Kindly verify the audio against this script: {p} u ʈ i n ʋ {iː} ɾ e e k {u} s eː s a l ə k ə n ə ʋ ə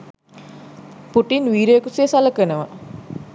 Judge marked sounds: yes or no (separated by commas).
yes, yes, yes